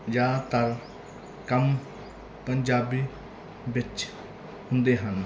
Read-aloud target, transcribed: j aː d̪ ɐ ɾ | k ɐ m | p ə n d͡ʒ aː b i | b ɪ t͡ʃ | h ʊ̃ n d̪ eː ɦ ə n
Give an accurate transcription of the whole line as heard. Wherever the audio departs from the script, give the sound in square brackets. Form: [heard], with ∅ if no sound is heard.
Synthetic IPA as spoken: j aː [t̪] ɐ ɾ | k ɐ m | p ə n d͡ʒ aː b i | b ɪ t͡ʃ | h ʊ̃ n d̪ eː ɦ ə n

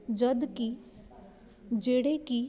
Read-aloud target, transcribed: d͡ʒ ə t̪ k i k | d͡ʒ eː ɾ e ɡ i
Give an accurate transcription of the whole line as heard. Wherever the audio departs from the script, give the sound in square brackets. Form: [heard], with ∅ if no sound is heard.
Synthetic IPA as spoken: d͡ʒ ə [d̪] k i [∅] | d͡ʒ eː [ɽ] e [k] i

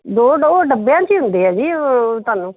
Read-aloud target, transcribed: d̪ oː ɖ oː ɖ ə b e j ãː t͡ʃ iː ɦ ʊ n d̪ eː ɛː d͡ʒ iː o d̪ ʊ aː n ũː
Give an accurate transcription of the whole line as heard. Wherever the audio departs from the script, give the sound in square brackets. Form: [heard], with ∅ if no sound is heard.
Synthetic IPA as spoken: d̪ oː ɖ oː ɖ ə b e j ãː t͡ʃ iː ɦ ʊ n d̪ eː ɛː d͡ʒ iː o [t̪] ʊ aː n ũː

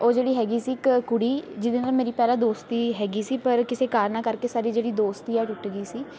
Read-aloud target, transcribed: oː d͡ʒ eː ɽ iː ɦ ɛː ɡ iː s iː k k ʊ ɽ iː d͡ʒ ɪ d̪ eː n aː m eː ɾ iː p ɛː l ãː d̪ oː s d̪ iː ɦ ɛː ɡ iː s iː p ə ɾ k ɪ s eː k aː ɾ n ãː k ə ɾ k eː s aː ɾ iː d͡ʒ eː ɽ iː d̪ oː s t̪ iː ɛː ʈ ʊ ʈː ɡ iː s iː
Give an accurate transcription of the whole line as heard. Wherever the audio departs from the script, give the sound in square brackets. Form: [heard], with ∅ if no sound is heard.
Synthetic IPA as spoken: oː d͡ʒ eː ɽ iː ɦ ɛː ɡ iː s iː k k ʊ ɽ iː d͡ʒ ɪ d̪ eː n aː m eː ɾ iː p ɛː l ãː d̪ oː s [t̪] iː ɦ ɛː ɡ iː s iː p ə ɾ k ɪ s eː k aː ɾ n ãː k ə ɾ k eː s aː ɾ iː d͡ʒ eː ɽ iː d̪ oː s t̪ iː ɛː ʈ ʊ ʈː ɡ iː s iː

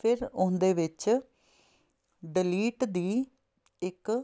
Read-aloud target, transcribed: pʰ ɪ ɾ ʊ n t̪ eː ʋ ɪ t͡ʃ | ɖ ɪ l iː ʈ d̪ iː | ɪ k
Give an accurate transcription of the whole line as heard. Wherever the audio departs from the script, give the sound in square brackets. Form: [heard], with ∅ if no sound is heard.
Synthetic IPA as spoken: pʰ ɪ ɾ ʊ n [d̪] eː ʋ ɪ t͡ʃ | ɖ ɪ l iː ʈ d̪ iː | ɪ k

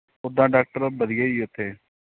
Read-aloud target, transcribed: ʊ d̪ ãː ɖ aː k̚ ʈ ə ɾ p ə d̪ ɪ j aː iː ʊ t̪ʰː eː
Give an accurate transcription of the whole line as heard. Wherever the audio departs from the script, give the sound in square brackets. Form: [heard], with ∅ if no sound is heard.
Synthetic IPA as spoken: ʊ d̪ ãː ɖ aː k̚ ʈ ə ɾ [b] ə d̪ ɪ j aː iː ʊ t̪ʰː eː

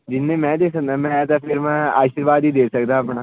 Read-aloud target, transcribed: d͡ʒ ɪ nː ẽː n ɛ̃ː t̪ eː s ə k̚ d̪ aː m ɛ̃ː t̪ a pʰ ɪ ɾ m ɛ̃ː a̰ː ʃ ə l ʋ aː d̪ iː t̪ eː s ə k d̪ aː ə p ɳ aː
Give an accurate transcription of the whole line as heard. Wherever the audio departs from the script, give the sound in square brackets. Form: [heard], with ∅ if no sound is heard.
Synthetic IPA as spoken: d͡ʒ ɪ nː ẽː [m] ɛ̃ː [d̪] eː s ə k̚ d̪ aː m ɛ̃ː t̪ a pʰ ɪ ɾ m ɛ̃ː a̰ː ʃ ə [ɾ] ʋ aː d̪ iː [d̪] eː s ə k d̪ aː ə p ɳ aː

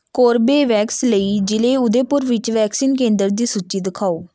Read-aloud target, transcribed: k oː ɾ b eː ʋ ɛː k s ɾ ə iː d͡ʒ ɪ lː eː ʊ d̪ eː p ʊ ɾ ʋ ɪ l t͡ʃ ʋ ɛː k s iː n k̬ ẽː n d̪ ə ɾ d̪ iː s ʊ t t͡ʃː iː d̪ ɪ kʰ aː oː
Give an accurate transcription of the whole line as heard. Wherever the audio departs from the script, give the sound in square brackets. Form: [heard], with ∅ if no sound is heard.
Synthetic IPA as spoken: k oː ɾ b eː ʋ ɛː k s [l] ə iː d͡ʒ ɪ [l] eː ʊ d̪ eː p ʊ ɾ ʋ ɪ [∅] t͡ʃ ʋ ɛː k s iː n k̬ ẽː n d̪ ə ɾ d̪ iː s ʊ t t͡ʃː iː d̪ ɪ kʰ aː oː

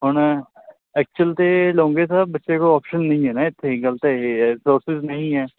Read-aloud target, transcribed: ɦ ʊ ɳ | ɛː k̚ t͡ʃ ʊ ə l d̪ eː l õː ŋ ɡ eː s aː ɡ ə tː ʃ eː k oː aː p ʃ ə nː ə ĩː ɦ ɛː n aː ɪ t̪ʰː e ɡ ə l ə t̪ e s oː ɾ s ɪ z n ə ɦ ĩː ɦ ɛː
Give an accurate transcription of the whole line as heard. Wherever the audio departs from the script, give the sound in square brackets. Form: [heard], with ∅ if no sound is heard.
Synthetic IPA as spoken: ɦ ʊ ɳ | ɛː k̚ t͡ʃ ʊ ə l [t̪] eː l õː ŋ ɡ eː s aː [b] ə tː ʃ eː k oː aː p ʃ ə nː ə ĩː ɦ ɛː n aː ɪ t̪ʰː e ɡ ə l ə t̪ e s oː ɾ s ɪ z n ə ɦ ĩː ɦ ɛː

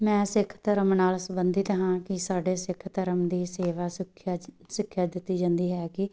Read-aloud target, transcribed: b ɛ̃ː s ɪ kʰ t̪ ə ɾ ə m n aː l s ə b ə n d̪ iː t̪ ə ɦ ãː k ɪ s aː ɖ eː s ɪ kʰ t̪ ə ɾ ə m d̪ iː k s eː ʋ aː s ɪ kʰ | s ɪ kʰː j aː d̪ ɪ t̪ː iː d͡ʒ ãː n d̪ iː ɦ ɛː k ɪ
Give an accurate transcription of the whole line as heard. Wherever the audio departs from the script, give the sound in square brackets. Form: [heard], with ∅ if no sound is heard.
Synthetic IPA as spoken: [m] ɛ̃ː s ɪ kʰ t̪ ə ɾ ə m n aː l s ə b ə n d̪ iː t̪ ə ɦ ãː k ɪ s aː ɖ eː s ɪ kʰ t̪ ə ɾ ə m d̪ iː [∅] s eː ʋ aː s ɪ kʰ | s ɪ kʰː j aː d̪ ɪ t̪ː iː d͡ʒ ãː n d̪ iː ɦ ɛː k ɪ

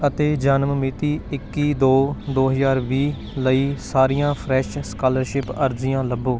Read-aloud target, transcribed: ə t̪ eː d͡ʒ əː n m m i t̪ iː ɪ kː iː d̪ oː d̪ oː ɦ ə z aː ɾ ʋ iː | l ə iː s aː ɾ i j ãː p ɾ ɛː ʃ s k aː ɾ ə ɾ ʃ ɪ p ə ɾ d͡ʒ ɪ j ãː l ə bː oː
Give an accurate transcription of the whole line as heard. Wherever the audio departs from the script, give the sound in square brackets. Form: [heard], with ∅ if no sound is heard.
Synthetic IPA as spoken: ə t̪ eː d͡ʒ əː n m m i t̪ iː ɪ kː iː d̪ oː d̪ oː ɦ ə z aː ɾ ʋ iː | l ə iː s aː ɾ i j ãː [pʰ] ɾ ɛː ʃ s k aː [l] ə ɾ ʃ ɪ p ə ɾ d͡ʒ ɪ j ãː l ə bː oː

